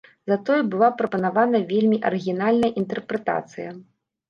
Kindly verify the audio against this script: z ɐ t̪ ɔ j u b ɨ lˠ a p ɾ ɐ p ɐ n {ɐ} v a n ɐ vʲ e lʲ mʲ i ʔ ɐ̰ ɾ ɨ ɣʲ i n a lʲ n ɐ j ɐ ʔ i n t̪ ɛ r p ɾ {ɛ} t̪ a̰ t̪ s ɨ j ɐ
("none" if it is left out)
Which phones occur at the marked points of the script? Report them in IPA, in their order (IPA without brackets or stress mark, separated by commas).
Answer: a, ɛ